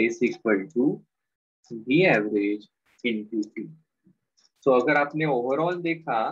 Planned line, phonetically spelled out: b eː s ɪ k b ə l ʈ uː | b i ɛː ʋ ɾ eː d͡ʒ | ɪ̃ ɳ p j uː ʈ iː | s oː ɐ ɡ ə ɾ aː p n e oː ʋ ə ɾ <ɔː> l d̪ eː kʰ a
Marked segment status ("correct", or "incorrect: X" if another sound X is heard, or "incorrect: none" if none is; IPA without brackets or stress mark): correct